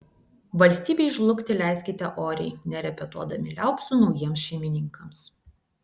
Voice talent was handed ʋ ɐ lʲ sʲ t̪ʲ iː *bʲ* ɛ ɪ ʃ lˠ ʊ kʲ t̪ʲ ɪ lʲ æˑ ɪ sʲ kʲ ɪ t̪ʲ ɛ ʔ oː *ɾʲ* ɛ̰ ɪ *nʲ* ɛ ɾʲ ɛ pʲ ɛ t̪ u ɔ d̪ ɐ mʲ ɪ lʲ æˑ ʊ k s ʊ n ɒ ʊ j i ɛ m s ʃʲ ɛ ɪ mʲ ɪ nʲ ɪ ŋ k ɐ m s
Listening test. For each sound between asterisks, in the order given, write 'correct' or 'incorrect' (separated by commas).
correct, correct, correct